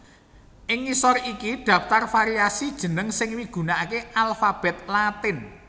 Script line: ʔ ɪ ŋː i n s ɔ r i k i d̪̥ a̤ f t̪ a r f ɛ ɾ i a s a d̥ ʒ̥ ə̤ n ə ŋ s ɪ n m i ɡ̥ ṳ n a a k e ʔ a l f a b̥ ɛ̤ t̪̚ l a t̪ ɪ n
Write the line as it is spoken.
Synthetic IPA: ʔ ɪ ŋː i s ɔ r i k i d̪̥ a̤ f t̪ a r f a ɾ i a s i d̥ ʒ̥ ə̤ n ə ŋ s ɪ ŋ m i ɡ̥ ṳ n a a k e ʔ a l f a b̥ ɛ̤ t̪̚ l a t̪ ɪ n

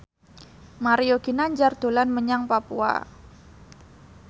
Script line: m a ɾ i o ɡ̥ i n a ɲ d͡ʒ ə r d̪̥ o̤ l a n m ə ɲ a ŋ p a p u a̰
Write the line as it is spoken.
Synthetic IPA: m a ɾ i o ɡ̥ i n a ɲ d͡ʒ a r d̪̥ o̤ l a n m ə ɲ a ŋ p a p u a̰

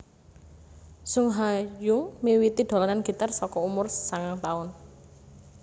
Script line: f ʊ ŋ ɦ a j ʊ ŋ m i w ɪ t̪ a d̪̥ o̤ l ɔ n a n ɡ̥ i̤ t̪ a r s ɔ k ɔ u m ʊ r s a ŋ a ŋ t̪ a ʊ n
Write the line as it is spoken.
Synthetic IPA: s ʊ ŋ ɦ a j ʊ ŋ m i w i t̪ i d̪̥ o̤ l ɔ n a n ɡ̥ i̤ t̪ a r s ɔ k ɔ u m ʊ r s a ŋ a ŋ t̪ a ʊ n

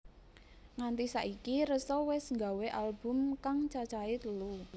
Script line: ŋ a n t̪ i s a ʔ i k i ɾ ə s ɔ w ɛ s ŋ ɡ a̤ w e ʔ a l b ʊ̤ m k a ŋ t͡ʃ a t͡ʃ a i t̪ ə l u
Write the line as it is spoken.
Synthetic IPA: ŋ a n t̪ i s a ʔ i k i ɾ ə s ɔ w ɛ s ŋ ɡ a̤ w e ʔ a l b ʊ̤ m k a ŋ t͡ʃ a t͡ʃ a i t̪ ə l u

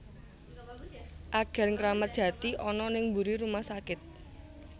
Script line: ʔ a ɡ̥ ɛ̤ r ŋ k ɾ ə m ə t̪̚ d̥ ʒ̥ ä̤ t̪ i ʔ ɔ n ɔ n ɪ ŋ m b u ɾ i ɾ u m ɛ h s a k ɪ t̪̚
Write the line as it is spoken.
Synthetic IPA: ʔ a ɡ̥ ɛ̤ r ŋ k ɾ a m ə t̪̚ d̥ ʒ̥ ä̤ t̪ i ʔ ɔ n ɔ n ɪ ŋ m b u ɾ i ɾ u m a h s a k ɪ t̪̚

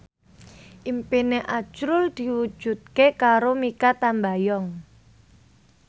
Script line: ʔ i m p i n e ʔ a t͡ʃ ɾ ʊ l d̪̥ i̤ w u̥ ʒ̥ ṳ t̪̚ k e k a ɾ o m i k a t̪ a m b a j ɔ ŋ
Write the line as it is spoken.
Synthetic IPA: ʔ i m p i n e ʔ a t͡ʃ ɾ ʊ l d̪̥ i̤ w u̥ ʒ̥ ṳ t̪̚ k e k a ɾ o m i k a t̪ a m b a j ɔ ŋ

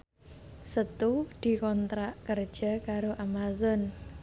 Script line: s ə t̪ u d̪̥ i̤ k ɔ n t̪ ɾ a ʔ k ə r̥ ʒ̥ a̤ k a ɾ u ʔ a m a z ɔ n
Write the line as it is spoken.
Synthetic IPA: s ə t̪ u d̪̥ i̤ k ɔ n t̪ ɾ a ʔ k ə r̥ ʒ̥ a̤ k a ɾ o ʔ a m a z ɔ n

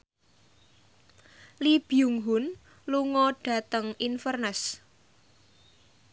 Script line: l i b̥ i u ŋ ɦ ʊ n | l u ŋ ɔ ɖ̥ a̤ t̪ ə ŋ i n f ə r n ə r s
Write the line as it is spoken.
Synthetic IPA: l i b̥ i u ŋ ɦ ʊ n | l u ŋ ɔ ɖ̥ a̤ t̪ ə ŋ i n f ə r n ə s

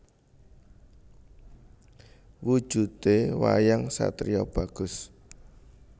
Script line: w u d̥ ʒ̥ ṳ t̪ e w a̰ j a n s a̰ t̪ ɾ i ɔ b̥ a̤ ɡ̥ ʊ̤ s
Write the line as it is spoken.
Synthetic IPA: w u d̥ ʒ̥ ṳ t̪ e w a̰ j a ŋ s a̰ t̪ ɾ i ɔ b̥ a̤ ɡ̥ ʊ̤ s

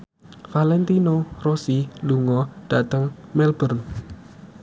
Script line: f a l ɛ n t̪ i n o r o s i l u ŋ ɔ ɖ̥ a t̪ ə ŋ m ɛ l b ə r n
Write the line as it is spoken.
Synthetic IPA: f a l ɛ n t̪ i n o r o s i l u ŋ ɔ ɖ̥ a t̪ ə ŋ m ɛ l b ə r n

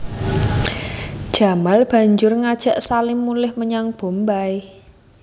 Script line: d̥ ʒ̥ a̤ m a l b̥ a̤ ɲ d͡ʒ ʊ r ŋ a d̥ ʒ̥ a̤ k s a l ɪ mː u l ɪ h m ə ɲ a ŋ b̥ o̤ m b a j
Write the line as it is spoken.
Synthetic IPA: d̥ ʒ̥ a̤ m a l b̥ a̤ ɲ d͡ʒ ʊ r ŋ a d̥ ʒ̥ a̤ ʔ s a l ɪ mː u l ɪ h m ə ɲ a ŋ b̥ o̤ m b a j

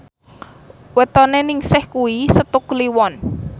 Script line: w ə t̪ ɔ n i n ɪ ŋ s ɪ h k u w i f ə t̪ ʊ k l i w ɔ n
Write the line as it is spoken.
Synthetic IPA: w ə t̪ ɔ n e n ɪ ŋ s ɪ h k u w i s ə t̪ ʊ k l i w ɔ n

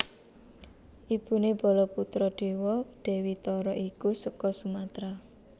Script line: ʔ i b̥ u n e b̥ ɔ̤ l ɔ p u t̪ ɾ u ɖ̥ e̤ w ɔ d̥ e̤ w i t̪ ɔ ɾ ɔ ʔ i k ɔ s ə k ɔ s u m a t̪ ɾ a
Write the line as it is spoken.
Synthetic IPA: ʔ i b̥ u n e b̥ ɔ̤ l ɔ p u t̪ ɾ ɔ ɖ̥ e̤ w ɔ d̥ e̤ w i t̪ ɔ ɾ ɔ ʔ i k u s ə k ɔ s u m a t̪ ɾ a

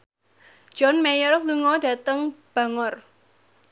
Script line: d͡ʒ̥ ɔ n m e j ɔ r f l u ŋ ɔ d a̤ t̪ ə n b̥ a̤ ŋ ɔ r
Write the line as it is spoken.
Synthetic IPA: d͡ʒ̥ ɔ n m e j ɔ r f l u ŋ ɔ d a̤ t̪ ə ŋ b̥ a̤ ŋ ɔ r

